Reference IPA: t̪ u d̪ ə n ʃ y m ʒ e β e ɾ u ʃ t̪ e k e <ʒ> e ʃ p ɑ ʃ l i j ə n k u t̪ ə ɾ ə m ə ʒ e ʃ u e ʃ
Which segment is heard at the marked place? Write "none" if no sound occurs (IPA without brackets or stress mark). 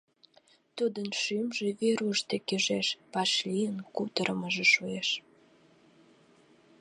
ʒ